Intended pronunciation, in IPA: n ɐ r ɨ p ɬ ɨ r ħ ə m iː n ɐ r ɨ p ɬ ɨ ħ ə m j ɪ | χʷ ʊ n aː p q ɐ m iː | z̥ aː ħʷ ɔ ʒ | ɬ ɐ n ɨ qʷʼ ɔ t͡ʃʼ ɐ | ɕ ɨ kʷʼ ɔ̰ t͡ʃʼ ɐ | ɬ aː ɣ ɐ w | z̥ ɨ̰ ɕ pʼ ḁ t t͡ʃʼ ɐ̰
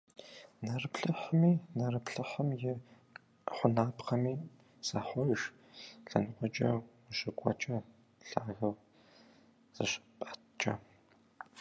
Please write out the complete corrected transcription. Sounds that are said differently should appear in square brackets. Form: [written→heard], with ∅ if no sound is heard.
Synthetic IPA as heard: n ɐ r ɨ p ɬ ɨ [r→∅] ħ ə m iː n ɐ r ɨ p ɬ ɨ ħ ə m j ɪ | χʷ ʊ n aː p q ɐ m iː | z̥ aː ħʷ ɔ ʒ | ɬ ɐ n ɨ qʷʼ ɔ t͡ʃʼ ɐ | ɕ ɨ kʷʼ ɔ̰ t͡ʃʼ ɐ | ɬ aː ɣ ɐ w | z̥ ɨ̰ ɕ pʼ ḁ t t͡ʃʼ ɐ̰

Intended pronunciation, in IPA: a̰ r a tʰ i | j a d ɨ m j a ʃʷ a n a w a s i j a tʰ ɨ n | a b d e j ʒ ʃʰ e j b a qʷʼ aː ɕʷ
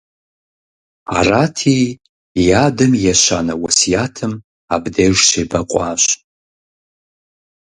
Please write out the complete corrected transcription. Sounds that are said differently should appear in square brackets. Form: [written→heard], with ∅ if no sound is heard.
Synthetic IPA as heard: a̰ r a tʰ i | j a d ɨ m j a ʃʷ a n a w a s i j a tʰ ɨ [n→m] | a b d e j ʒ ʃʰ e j b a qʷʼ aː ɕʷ

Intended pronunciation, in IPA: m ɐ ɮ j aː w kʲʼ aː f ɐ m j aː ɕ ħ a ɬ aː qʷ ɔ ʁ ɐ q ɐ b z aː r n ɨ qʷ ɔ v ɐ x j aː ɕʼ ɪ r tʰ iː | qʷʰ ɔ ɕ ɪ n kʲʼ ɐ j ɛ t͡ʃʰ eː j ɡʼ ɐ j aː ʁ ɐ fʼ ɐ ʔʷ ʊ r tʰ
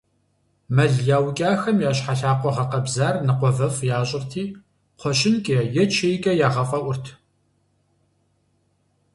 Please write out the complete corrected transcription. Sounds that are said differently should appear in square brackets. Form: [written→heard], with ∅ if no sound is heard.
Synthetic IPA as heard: m ɐ ɮ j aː w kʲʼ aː [f→x] ɐ m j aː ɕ ħ a ɬ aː qʷ ɔ ʁ ɐ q ɐ b z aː r n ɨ qʷ ɔ v ɐ [x→f] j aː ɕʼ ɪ r tʰ iː | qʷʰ ɔ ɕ ɪ n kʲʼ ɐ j ɛ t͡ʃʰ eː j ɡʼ ɐ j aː ʁ ɐ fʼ ɐ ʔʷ ʊ r tʰ

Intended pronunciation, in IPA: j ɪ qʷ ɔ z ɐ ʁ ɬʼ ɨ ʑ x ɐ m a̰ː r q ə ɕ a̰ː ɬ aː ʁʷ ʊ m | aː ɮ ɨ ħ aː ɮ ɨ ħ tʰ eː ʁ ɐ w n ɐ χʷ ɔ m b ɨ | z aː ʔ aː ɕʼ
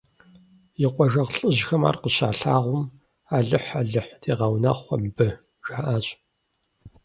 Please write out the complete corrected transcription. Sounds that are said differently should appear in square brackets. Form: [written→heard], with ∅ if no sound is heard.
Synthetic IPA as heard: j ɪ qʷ ɔ [z→ʒ] ɐ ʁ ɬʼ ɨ ʑ x ɐ m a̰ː r q ə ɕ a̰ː ɬ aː ʁʷ ʊ m | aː ɮ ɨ ħ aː ɮ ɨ ħ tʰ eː ʁ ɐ w n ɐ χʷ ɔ m b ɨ | [z→ʒ] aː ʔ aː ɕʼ

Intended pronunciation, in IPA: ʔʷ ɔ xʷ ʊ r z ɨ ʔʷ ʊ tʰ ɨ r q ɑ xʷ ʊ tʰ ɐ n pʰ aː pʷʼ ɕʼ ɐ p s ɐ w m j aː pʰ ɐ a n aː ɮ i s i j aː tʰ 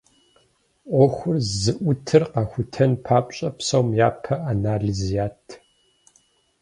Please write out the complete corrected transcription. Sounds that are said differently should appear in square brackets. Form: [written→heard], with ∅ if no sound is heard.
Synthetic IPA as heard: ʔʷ ɔ xʷ ʊ r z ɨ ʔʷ ʊ tʰ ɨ r q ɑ xʷ ʊ tʰ ɐ n pʰ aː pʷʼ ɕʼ ɐ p s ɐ w m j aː pʰ ɐ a n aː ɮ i [s→z] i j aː tʰ

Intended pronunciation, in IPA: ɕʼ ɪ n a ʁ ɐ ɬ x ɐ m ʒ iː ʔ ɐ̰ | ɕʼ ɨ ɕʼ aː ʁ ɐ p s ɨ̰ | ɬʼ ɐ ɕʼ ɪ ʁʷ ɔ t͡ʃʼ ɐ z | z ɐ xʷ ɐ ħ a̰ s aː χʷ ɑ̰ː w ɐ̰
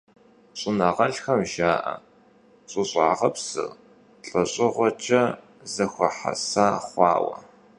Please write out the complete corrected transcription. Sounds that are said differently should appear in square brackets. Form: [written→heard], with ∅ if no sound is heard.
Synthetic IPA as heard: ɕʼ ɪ n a ʁ ɐ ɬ x ɐ m ʒ [iː→aː] ʔ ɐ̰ | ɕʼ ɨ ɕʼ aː ʁ ɐ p s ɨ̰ | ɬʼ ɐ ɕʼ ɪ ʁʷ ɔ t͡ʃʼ ɐ [z→∅] | z ɐ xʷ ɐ ħ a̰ s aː χʷ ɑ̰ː w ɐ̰

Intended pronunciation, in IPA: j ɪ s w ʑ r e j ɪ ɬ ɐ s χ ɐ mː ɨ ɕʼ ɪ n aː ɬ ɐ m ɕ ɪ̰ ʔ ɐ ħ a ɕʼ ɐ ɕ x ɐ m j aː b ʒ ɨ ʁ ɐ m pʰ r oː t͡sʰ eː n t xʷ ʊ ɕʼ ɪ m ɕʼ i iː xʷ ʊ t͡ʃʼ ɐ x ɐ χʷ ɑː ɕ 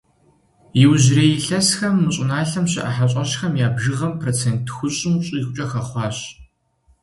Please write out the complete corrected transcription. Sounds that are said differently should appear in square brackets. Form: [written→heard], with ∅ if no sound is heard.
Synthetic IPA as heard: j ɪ [s→∅] w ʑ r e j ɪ ɬ ɐ s [χ→x] ɐ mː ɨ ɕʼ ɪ n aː ɬ ɐ m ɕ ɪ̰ ʔ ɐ ħ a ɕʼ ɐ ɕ x ɐ m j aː b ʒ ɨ ʁ ɐ m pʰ r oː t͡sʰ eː n t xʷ ʊ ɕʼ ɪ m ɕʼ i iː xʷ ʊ t͡ʃʼ ɐ x ɐ χʷ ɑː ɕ

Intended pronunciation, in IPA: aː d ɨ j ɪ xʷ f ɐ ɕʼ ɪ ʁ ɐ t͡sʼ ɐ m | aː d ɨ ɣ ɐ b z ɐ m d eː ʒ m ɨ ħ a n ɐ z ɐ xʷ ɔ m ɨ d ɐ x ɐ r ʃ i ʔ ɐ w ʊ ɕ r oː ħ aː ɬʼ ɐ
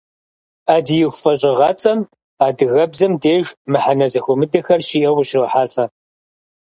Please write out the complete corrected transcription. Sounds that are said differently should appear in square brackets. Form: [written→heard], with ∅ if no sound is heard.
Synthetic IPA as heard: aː d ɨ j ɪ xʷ f ɐ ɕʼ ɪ ʁ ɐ t͡sʼ ɐ m | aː d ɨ ɣ ɐ b z ɐ m d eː ʒ m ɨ ħ a n ɐ z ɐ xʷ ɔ m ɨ d ɐ x ɐ r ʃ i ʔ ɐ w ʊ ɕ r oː ħ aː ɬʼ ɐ

